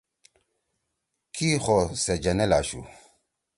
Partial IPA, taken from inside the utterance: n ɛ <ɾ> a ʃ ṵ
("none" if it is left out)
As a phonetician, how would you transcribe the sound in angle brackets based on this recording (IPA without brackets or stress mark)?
l